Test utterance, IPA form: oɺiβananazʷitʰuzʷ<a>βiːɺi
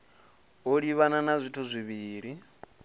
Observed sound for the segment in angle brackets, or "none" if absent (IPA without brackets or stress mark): i